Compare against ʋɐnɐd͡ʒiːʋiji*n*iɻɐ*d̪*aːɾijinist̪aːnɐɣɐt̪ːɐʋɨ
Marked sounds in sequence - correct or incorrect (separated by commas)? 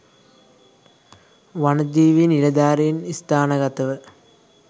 correct, correct